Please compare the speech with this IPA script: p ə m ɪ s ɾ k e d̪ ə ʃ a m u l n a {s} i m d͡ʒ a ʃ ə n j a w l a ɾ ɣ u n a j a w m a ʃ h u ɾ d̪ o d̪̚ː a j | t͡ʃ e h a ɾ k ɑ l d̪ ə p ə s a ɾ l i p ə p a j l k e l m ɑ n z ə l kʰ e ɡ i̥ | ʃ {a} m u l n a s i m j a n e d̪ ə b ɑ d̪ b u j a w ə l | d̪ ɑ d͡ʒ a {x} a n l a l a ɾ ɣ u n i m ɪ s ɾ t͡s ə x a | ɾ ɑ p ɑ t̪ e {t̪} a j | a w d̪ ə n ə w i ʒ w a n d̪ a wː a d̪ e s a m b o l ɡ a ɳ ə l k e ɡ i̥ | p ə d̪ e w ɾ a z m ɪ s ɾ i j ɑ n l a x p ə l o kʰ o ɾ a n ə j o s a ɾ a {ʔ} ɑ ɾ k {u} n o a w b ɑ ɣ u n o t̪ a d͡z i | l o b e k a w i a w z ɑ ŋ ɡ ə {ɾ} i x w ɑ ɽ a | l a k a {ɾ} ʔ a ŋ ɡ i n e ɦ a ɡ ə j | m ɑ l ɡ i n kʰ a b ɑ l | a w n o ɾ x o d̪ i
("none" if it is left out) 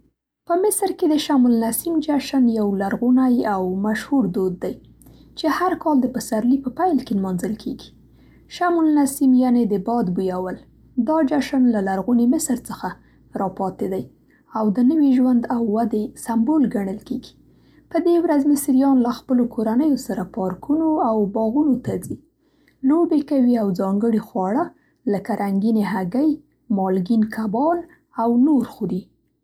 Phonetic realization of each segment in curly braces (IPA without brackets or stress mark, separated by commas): s, a, ʃ, d̪, p, u, ɽ, ɾ